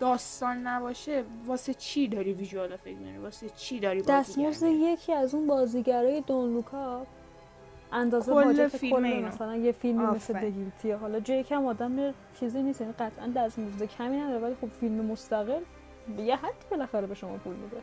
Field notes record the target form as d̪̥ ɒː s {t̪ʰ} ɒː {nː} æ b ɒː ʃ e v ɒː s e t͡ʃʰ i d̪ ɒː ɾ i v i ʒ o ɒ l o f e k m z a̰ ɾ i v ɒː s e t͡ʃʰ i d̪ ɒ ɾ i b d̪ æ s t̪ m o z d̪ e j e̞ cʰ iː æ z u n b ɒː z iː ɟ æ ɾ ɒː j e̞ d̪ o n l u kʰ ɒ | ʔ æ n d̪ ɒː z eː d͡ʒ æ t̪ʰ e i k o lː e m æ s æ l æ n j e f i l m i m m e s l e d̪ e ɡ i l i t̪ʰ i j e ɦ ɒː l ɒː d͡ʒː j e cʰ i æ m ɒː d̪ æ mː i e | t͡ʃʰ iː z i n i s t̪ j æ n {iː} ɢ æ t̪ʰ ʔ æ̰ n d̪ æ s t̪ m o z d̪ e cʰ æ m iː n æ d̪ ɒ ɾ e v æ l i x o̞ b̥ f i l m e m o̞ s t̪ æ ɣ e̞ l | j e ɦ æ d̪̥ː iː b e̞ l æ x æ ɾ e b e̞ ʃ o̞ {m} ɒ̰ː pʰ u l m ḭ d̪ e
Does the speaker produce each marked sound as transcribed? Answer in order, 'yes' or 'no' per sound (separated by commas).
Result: no, yes, no, yes